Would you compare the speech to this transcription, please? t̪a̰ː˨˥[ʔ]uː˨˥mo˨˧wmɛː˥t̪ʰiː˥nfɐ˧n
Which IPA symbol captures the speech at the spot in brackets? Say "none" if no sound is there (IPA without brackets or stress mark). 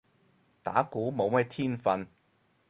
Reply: k